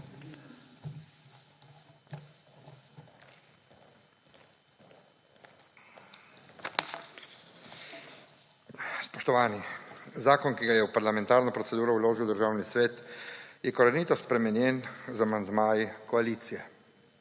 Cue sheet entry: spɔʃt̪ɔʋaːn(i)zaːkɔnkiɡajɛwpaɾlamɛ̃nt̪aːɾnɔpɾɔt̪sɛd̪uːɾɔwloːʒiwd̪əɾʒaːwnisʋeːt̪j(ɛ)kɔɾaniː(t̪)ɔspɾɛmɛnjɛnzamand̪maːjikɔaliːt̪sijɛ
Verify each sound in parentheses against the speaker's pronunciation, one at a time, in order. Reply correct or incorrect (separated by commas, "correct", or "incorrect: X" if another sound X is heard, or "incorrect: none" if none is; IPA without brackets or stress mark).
correct, correct, correct